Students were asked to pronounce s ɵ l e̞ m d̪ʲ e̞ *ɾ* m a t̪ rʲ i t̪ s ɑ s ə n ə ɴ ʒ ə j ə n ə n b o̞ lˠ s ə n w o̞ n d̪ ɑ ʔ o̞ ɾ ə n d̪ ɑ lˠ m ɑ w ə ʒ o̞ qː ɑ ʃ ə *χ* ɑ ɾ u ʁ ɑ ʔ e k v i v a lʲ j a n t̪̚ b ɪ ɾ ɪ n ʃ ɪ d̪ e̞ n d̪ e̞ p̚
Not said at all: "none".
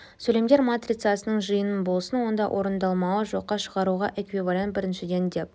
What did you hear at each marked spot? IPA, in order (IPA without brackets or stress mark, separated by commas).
ɾ, ʁ